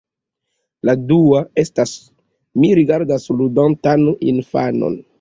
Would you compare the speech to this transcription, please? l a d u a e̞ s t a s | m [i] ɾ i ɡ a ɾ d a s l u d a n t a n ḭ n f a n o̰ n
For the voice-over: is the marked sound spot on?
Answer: yes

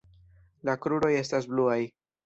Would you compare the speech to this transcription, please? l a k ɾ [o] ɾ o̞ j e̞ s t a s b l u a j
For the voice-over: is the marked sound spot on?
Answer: no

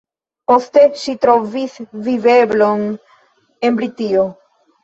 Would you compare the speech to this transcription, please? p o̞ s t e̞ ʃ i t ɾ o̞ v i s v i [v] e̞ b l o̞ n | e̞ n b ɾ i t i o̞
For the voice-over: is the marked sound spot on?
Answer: yes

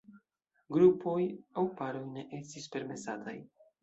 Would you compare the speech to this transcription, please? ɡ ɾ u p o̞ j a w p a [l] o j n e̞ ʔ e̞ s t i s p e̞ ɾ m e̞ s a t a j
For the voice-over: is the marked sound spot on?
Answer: no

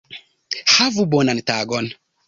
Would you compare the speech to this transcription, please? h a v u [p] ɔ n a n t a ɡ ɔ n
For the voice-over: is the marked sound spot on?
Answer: no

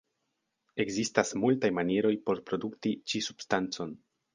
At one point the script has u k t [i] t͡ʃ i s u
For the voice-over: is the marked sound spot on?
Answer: yes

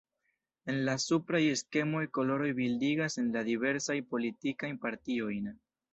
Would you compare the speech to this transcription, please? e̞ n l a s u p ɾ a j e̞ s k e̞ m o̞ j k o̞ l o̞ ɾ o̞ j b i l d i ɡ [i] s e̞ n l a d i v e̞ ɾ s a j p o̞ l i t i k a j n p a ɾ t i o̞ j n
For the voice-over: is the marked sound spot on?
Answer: no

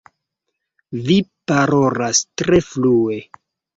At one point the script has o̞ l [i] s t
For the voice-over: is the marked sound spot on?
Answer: no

